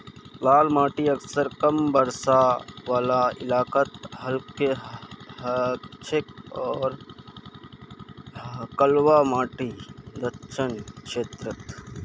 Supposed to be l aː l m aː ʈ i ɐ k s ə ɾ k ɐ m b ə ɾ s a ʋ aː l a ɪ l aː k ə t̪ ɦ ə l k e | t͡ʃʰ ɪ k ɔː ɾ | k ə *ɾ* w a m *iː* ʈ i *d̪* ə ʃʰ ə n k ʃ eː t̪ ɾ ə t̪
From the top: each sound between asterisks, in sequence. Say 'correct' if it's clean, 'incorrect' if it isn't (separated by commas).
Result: incorrect, incorrect, correct